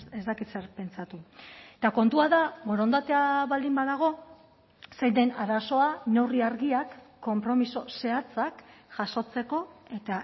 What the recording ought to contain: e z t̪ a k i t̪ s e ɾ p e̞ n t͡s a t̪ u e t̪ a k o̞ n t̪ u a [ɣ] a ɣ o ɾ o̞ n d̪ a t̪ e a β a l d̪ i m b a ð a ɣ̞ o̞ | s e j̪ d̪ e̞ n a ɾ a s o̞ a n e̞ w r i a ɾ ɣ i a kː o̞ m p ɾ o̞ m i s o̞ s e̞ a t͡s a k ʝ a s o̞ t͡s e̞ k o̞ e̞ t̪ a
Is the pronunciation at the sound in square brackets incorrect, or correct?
incorrect